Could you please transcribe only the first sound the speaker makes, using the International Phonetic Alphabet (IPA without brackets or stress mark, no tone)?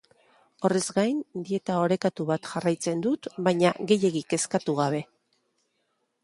o̞